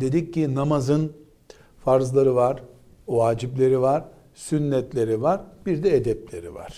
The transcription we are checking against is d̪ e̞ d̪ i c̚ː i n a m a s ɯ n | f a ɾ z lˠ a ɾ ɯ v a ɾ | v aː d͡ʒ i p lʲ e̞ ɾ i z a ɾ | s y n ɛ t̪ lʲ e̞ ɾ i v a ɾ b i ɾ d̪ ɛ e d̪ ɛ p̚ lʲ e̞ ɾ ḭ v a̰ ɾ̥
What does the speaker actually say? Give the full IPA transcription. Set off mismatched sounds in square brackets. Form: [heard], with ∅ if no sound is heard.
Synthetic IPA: d̪ e̞ d̪ i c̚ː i n a m a [z] ɯ n | f a ɾ z lˠ a ɾ ɯ v a ɾ | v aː d͡ʒ i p lʲ e̞ ɾ i [v] a ɾ | s y [nː] ɛ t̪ lʲ e̞ ɾ i v a ɾ b i ɾ d̪ ɛ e d̪ ɛ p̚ lʲ e̞ ɾ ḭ v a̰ ɾ̥